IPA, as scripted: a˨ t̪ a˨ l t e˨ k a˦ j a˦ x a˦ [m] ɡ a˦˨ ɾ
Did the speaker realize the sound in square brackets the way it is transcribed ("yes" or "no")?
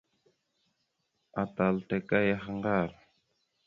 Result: no